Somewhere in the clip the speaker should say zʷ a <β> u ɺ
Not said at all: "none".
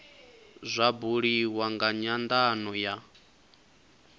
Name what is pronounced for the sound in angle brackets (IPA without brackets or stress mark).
b